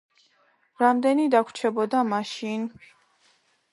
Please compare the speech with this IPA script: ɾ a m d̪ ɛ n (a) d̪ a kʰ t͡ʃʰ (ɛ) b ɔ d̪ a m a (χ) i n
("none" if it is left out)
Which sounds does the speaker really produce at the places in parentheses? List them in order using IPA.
i, ɛ, ʃ

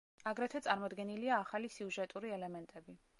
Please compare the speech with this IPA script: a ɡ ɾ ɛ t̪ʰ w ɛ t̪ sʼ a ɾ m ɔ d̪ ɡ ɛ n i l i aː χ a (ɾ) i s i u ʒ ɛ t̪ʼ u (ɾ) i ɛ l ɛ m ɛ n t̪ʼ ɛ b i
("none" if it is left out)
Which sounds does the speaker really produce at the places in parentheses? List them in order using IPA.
l, ɾ

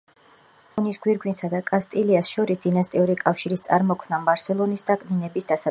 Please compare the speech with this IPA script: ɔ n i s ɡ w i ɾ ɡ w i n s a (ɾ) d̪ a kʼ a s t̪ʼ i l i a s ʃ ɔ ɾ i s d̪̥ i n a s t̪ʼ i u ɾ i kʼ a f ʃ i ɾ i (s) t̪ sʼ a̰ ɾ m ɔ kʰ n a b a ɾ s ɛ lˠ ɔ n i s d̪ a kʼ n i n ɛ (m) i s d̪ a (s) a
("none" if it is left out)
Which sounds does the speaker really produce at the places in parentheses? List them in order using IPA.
none, s, b, s

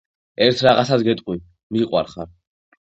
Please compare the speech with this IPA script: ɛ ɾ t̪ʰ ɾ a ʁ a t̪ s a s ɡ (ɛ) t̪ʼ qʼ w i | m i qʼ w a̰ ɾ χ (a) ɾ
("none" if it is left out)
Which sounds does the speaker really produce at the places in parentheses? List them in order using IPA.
ɛ, a

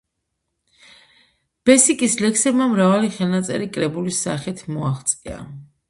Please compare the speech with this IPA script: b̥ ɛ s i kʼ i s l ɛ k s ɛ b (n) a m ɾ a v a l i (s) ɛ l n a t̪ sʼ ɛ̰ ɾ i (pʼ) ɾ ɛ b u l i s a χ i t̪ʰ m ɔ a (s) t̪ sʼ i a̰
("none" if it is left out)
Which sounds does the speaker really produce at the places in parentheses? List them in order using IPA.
m, χ, kʼ, χ

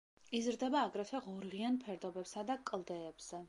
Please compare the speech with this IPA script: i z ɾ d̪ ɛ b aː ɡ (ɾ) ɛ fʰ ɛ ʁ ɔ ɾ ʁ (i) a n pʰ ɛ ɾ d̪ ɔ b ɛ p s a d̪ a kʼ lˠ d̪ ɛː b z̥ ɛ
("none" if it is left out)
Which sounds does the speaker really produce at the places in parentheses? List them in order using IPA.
ɾ, i

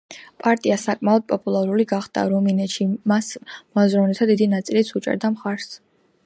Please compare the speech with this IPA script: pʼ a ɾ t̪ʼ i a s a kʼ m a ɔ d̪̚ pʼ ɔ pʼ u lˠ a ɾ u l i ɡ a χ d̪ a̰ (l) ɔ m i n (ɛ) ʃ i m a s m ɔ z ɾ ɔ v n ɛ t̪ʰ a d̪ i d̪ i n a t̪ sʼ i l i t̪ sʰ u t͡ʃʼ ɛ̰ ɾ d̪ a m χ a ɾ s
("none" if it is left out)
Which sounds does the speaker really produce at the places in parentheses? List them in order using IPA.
ɾ, ɛ

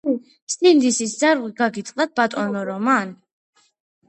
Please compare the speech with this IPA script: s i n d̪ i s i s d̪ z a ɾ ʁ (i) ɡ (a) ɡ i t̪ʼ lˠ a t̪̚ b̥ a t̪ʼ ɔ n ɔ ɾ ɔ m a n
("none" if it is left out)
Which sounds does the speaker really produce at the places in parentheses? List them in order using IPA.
i, a

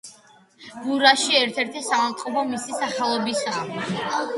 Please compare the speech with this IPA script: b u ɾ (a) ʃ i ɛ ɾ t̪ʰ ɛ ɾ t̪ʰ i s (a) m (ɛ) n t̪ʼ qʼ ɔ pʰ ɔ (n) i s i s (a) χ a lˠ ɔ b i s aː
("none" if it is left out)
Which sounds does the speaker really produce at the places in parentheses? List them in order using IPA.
a, a, a, m, a

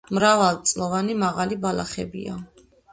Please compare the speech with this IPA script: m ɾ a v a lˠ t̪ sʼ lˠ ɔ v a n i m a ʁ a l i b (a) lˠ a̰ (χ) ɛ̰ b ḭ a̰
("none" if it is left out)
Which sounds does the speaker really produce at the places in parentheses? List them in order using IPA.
a, χ

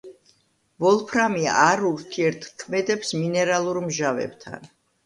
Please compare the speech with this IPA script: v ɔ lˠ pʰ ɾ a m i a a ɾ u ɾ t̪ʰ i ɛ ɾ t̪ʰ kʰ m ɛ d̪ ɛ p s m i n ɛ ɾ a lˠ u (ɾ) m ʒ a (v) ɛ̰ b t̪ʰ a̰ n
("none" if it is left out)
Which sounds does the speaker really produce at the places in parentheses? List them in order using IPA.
ɾ, v

